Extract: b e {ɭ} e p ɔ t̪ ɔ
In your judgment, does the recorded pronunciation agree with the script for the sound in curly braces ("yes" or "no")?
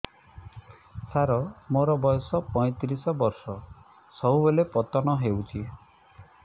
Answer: no